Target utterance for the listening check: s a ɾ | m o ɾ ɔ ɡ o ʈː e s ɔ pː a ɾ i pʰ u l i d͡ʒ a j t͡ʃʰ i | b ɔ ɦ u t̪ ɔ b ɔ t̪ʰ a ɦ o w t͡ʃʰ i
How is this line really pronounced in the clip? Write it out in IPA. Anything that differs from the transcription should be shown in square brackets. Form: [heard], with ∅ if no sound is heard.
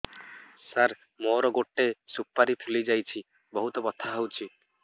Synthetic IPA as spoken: s a ɾ | m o ɾ ɔ ɡ o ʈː e s [u] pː a ɾ i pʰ u l i d͡ʒ a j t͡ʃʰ i | b ɔ ɦ u t̪ ɔ b ɔ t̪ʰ a ɦ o w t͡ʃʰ i